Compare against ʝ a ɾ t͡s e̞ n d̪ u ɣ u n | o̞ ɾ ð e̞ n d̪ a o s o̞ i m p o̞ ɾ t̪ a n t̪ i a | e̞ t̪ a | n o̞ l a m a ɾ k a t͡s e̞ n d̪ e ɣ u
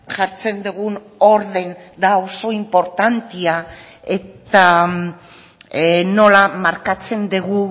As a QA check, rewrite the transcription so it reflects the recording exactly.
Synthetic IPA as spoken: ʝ a ɾ t͡s e̞ n d̪ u ɣ u n | o̞ ɾ ð e̞ n d̪ a o s o̞ i m p o̞ ɾ t̪ a n t̪ i a | e̞ t̪ a | n o̞ l a m a ɾ k a t͡s e̞ n d̪ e ɣ u